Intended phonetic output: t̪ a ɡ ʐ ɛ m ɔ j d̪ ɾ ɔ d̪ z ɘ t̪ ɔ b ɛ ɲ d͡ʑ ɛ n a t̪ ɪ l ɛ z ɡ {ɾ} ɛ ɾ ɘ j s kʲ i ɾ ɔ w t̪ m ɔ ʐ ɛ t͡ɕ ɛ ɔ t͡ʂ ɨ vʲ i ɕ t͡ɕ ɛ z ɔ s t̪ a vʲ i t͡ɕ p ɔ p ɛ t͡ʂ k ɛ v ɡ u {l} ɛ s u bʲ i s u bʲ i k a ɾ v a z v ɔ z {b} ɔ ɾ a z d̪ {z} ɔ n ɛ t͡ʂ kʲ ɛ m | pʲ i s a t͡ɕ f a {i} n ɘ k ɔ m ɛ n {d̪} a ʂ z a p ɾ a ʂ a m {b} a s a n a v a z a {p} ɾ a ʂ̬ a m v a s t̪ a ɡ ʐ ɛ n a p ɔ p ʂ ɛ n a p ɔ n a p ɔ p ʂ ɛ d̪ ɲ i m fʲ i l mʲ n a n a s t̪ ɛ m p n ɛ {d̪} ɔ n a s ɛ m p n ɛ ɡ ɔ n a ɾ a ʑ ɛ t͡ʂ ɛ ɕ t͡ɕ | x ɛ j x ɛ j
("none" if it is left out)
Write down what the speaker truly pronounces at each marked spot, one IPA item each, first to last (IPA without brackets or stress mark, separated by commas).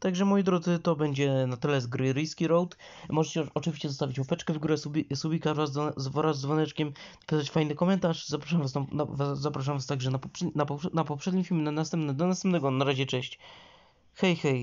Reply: ɾ, ɾ, v, v, j, t̪, v, p, d̪